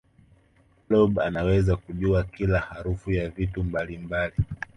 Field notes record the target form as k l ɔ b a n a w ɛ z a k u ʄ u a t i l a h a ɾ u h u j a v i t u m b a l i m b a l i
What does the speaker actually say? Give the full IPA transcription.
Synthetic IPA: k l ɔ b a n a w ɛ z a k u ʄ u a k i l a h a ɾ u f u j a v i t u m b a l i m b a l i

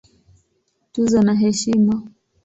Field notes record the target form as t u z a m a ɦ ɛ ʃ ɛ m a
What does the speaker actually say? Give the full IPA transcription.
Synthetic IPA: t u z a n a ɦ ɛ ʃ i m a

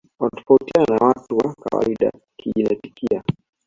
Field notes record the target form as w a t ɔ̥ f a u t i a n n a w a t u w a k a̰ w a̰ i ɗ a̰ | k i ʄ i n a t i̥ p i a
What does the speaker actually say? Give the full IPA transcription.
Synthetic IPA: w a t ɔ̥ f a u t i a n n a w a t u w a k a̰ w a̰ i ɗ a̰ | k i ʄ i n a t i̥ k i a

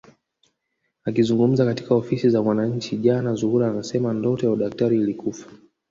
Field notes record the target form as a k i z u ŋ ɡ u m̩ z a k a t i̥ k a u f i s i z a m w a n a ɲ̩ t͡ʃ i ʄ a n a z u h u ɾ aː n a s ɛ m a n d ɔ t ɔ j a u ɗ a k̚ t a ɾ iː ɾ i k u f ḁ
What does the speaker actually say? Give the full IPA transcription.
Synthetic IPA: a k i z u ŋ ɡ u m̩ z a k a t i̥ k a ɔ f i s i z a m w a n a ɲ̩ t͡ʃ i ʄ a n a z u h u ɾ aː n a s ɛ m a n d ɔ t ɔ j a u ɗ a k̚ t a ɾ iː l i k u f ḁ

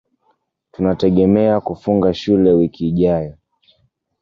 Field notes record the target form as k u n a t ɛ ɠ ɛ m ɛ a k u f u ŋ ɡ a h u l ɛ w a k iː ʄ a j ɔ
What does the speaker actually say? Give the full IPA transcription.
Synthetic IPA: t u n a t ɛ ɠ ɛ m ɛ a k u f u ŋ ɡ a ʃ u l ɛ w i k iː ʄ a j ɔ

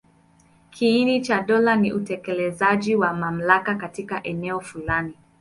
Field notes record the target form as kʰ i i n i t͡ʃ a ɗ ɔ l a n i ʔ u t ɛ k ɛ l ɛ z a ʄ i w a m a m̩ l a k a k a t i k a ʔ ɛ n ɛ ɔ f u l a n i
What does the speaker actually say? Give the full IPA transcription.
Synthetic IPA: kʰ i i n i t͡ʃ a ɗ ɔ l a n i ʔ u t ɛ k ɛ l ɛ z a ʄ i w a m a m̩ l a k a k a t i k a ʔ ɛ n ɛ ɔ f u l a n i

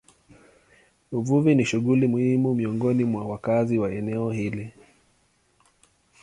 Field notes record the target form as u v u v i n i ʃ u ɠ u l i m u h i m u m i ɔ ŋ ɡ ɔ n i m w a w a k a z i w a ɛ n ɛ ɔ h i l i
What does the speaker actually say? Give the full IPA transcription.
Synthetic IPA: u v u v i n i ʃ u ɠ u l i m u h i m u m i ɔ ŋ ɡ ɔ n i m w a w a k a z i w a ɛ n ɛ ɔ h i l i

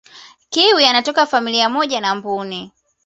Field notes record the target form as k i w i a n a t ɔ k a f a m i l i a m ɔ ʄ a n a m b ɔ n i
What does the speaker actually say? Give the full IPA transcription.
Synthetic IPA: k i w i a n a t ɔ k a f a m i l i a m ɔ ʄ a n a m b u n i

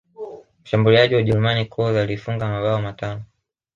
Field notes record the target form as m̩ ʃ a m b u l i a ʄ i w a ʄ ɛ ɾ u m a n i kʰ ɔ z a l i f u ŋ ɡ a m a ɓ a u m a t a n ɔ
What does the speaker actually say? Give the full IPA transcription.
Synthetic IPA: m̩ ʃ a m b u l i a ʄ i w a ʄ ɛ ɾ u m a n i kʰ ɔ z a l i f u ŋ ɡ a m a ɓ a ɔ m a t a n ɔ

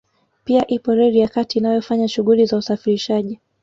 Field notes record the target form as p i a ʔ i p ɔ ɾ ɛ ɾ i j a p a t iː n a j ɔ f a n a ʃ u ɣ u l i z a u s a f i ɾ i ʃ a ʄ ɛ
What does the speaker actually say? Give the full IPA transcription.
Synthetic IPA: p i a ʔ i p ɔ ɾ ɛ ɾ i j a k a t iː n a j ɔ f a ɲ a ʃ u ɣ u l i z a u s a f i ɾ i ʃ a ʄ i

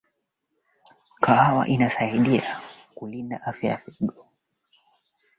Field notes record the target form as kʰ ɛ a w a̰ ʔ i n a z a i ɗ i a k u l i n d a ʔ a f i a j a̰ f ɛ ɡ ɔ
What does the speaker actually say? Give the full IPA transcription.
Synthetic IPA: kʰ a a w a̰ ʔ i n a s a i ɗ i a k u l i n d a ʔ a f j a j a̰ f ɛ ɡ ɔ

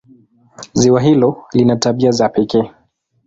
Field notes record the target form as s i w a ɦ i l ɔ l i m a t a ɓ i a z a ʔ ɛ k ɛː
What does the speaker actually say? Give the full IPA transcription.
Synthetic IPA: z i w a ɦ i l ɔ l i n a t a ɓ i a z a p ɛ k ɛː

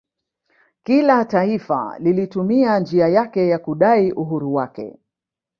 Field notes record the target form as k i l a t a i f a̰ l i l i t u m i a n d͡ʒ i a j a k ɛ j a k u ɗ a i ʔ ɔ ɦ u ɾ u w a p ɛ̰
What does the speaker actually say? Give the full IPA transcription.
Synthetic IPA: k i l a t a i f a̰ l i l i t u m i a n d͡ʒ i a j a k ɛ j a k u ɗ a i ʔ u ɦ u ɾ u w a k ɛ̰

